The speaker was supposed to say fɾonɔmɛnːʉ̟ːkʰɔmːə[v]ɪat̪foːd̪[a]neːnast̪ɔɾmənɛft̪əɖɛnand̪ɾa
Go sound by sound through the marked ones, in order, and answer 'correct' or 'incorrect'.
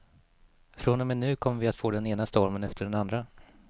correct, incorrect

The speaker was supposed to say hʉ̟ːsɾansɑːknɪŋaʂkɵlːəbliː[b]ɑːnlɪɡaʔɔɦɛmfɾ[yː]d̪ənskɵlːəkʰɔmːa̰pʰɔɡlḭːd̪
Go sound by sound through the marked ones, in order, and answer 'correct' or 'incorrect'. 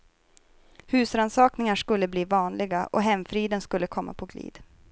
incorrect, incorrect

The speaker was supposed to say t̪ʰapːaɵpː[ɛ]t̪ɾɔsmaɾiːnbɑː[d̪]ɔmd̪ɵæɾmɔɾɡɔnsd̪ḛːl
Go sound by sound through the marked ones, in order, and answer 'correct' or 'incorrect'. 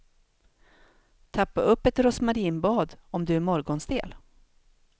correct, correct

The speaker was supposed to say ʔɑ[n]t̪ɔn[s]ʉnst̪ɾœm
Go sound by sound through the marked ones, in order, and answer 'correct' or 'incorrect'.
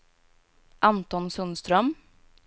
correct, correct

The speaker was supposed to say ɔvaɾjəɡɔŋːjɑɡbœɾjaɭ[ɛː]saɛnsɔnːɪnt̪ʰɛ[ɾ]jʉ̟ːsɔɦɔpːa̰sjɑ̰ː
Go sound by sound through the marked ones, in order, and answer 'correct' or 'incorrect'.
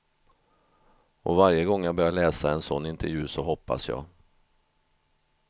correct, correct

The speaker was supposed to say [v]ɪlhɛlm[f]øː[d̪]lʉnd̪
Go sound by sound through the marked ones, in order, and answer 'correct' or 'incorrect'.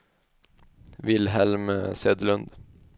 incorrect, incorrect, correct

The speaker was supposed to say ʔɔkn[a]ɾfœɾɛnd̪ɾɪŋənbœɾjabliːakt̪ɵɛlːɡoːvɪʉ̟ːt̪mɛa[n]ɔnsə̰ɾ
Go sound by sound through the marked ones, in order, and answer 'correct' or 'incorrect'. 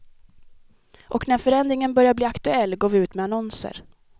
incorrect, correct

